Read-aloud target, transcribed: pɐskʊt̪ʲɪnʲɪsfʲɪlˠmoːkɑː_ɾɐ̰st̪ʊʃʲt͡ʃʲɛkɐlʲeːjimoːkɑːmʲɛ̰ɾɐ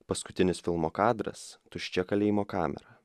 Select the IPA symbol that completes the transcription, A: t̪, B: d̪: B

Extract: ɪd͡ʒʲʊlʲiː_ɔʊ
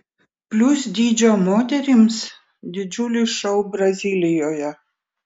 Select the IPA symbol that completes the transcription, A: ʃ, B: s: A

